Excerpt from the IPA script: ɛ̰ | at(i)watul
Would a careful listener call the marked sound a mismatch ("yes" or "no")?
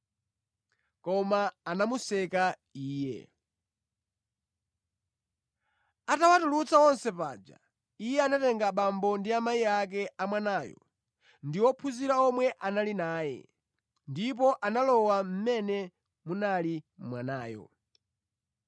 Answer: yes